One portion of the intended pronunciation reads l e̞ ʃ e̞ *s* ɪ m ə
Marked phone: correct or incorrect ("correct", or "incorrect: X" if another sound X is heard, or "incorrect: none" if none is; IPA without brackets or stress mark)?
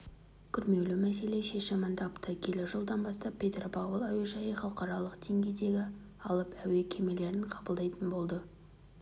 incorrect: ʃ